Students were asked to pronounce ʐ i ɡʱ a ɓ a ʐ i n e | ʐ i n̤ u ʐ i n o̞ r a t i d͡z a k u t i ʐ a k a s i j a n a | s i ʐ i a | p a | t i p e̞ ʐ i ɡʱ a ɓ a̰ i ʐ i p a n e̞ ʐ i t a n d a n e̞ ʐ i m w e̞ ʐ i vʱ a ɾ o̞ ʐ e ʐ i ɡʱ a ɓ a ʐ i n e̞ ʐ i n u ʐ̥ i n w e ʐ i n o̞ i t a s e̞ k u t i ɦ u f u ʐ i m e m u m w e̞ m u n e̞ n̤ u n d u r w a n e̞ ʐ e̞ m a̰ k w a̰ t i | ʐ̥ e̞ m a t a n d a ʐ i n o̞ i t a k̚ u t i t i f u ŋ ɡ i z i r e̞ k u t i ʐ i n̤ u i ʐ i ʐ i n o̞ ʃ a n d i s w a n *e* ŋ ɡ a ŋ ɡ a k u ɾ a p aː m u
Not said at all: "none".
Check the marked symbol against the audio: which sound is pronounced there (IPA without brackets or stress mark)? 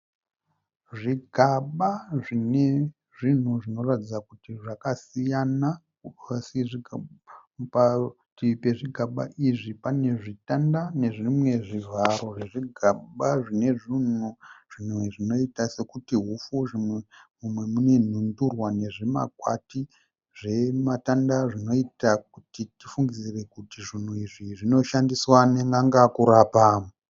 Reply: e